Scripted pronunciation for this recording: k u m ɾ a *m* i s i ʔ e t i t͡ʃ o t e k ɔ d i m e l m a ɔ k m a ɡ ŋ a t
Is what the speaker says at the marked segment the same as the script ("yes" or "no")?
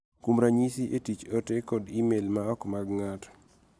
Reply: no